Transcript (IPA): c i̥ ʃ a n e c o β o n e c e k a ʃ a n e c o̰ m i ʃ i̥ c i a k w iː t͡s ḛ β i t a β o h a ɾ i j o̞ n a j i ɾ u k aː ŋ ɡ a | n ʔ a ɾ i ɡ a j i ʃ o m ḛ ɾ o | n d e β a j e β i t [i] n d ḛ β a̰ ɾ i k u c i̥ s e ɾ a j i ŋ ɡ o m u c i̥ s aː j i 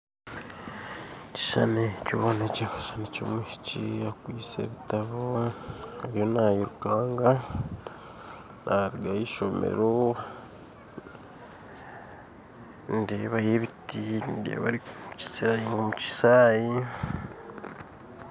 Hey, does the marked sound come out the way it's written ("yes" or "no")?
yes